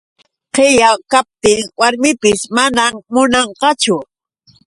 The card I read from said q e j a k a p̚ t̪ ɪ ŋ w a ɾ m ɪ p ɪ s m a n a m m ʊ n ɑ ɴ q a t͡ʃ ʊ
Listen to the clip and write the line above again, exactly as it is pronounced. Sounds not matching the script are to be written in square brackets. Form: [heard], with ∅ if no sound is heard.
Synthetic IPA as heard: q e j a k a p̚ t̪ ɪ ŋ w a ɾ m ɪ p ɪ s m a n a m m ʊ n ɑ ɴ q [ɑ] t͡ʃ ʊ